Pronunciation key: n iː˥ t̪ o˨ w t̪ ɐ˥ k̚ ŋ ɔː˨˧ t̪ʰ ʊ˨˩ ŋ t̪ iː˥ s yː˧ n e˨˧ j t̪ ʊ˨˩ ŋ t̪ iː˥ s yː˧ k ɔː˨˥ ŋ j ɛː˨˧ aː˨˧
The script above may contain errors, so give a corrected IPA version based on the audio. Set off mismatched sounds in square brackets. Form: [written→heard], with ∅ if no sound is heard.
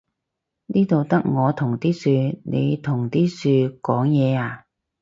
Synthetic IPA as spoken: n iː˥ t̪ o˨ w t̪ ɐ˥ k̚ ŋ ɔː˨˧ t̪ʰ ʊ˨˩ ŋ t̪ iː˥ s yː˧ n e˨˧ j [t̪→t̪ʰ] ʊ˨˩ ŋ t̪ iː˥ s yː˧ k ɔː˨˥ ŋ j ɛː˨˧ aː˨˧